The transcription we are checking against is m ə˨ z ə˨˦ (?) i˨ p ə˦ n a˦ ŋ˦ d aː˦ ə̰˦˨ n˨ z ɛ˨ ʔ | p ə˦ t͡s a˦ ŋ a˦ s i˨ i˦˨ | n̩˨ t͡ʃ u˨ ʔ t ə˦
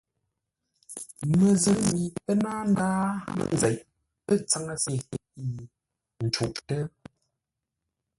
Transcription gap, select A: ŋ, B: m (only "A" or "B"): B